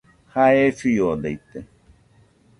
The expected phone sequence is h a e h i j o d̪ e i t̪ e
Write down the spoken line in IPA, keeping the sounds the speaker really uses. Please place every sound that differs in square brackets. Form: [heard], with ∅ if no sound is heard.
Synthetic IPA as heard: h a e [f] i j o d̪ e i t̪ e